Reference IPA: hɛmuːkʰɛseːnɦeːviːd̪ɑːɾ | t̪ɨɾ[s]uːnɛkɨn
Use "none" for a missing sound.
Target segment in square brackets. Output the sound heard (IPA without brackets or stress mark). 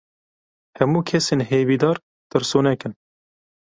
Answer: s